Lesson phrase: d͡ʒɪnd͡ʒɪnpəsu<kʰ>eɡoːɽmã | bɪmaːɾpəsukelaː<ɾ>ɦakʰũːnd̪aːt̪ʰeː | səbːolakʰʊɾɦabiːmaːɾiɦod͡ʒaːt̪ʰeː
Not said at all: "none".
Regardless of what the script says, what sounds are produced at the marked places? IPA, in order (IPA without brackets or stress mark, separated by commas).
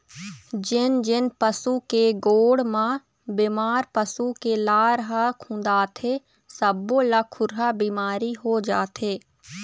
k, ɾ